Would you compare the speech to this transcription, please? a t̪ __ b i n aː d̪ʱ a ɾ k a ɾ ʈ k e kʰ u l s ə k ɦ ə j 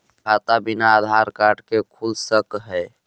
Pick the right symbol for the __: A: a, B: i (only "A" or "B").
A